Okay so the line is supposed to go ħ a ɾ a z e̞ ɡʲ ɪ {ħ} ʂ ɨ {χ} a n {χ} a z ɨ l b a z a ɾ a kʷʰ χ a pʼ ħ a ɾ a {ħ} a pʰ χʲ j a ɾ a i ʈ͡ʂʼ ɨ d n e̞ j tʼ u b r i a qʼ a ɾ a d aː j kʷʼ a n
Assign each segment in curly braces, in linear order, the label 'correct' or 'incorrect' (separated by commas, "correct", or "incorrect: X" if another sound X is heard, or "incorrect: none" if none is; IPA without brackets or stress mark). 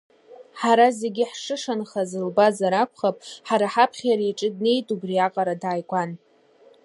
correct, incorrect: ʂ, correct, correct